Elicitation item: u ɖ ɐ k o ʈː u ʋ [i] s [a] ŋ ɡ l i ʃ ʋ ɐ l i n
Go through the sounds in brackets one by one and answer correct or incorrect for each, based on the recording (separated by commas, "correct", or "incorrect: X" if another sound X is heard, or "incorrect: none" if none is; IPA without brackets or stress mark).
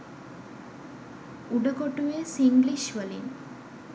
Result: incorrect: e, incorrect: i